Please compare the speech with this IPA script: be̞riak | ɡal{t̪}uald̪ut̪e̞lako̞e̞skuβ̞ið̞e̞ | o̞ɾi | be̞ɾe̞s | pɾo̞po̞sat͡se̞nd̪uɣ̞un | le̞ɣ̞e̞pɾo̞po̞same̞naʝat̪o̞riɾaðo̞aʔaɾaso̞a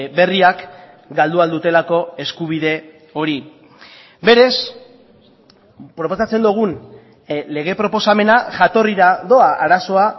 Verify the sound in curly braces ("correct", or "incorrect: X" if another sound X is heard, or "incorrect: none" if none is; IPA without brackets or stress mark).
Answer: incorrect: d̪